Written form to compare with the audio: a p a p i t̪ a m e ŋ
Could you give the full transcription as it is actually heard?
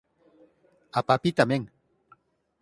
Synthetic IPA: a p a p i t̪ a m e ŋ